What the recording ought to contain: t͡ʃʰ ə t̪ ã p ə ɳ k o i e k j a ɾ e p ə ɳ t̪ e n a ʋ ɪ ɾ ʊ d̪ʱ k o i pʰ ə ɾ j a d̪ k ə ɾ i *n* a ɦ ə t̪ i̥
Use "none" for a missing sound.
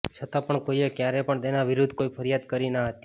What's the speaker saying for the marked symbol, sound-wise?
n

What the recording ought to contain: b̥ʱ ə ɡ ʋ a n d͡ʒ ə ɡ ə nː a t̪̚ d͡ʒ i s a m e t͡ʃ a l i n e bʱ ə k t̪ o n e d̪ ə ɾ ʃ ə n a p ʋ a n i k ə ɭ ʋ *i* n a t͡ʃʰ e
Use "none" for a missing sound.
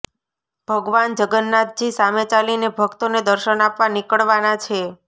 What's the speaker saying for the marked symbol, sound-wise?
a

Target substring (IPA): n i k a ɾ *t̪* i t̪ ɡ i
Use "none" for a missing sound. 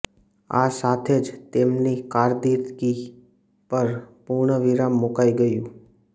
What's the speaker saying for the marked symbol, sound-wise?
d̪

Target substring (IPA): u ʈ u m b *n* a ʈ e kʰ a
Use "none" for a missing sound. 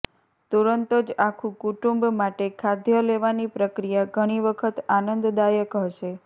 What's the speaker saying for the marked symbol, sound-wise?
m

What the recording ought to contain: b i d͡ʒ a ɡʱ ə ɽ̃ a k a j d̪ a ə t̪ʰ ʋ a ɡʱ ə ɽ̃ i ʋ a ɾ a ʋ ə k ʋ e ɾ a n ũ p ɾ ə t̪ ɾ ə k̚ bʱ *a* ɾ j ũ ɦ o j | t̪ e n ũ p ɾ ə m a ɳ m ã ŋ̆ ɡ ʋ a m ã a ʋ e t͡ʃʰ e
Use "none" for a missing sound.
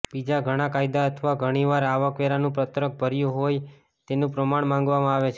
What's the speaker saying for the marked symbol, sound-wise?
ə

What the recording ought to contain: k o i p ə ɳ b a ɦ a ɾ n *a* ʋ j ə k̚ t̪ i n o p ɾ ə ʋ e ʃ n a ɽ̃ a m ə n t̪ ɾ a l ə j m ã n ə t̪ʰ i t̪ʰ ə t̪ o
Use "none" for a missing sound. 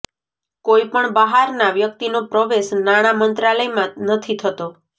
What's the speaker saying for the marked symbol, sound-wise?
a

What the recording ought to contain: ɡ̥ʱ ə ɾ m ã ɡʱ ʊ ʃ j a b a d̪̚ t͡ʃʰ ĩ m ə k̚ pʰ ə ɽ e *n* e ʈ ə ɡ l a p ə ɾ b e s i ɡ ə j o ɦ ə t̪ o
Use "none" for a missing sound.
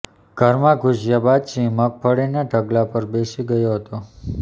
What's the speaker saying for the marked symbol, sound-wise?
n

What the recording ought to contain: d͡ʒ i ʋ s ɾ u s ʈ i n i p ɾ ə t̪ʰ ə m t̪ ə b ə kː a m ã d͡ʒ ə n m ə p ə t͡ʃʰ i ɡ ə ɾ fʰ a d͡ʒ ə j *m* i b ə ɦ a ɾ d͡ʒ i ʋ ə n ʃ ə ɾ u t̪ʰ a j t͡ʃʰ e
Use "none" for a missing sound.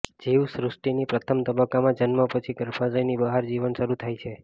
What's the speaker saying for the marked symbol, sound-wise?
n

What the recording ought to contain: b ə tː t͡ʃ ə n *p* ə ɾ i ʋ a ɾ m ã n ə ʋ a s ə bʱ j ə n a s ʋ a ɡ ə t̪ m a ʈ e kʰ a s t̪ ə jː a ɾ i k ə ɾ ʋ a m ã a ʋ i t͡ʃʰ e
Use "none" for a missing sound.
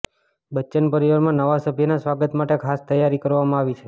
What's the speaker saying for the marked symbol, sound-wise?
p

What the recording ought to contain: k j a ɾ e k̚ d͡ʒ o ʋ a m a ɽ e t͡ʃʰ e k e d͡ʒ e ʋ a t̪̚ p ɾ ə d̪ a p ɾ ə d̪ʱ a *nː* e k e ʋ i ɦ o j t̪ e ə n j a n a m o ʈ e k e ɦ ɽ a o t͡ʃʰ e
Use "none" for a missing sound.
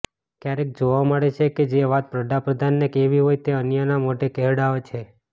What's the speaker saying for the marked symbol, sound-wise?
nː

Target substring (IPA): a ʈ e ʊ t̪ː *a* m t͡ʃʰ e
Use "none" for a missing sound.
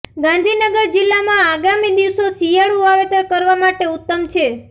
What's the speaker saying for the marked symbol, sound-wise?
ə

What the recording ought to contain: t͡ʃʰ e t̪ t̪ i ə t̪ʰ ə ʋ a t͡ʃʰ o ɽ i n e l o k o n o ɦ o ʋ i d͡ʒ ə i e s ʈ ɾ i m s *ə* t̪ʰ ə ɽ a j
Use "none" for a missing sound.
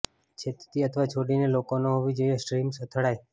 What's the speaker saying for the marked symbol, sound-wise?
ə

